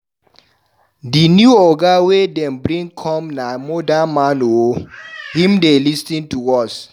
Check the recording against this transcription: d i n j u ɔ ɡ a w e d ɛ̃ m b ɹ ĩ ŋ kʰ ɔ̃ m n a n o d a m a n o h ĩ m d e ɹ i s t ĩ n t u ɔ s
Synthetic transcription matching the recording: d i n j u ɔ ɡ a w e d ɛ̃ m b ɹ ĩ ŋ kʰ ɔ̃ m n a m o d a m a n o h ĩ m d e l i s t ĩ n t u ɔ s